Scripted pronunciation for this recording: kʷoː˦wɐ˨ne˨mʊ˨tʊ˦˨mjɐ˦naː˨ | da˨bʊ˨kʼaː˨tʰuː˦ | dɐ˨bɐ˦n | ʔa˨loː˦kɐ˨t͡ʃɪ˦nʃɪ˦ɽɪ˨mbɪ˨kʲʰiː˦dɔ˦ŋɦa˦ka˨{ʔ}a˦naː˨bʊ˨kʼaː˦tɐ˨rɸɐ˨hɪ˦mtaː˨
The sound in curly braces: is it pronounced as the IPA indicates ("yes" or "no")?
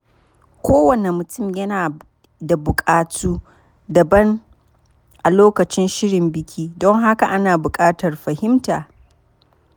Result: yes